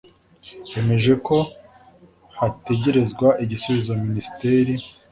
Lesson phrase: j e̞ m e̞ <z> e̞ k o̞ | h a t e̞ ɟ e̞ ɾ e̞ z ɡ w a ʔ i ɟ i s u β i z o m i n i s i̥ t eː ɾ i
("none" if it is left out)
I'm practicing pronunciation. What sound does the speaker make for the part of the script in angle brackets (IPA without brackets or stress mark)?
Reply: ʒ